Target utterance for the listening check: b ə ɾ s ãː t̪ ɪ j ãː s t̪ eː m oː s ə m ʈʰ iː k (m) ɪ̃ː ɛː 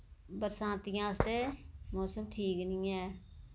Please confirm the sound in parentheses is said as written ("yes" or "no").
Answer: no